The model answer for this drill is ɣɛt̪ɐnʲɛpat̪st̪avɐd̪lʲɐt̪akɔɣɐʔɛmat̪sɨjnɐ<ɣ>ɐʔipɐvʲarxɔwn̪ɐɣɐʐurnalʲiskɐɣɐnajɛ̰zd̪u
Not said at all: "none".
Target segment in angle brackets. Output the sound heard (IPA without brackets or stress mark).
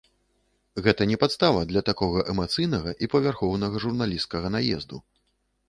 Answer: ɣ